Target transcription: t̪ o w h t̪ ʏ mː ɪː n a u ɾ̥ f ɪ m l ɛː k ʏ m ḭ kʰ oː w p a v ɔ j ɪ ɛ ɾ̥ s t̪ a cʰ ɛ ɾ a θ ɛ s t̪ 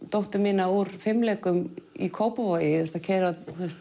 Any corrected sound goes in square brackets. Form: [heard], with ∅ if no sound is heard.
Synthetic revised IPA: t̪ o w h t̪ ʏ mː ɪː n a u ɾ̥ f ɪ m l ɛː k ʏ m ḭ kʰ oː w p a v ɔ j ɪ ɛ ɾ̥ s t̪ a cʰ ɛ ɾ a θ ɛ s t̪